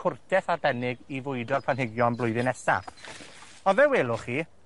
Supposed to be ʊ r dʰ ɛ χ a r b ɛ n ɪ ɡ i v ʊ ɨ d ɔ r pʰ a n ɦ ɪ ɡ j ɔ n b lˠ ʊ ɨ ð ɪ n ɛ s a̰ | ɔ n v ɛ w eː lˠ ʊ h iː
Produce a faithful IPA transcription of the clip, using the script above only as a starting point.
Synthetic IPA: ʊ r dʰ ɛ θ a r b ɛ n ɪ ɡ i v ʊ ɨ d ɔ r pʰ a n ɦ ɪ ɡ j ɔ n b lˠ ʊ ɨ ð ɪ n ɛ s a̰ | ɔ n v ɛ w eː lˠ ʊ χ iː